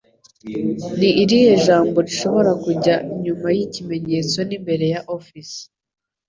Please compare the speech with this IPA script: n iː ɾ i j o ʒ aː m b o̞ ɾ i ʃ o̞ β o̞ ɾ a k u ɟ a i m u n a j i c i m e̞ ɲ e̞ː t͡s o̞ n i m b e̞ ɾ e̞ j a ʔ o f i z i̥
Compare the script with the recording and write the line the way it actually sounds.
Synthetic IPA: n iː ɾ i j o ʒ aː m b o̞ ɾ i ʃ o̞ β o̞ ɾ a k u ɟ a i ɲ u m a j i c i m e̞ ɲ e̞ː t͡s o̞ n i m b e̞ ɾ e̞ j a ʔ o f i s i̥